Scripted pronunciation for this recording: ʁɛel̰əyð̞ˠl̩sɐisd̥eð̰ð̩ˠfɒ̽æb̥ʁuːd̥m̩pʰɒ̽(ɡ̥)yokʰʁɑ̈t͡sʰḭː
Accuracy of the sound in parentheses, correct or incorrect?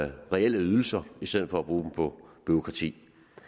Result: incorrect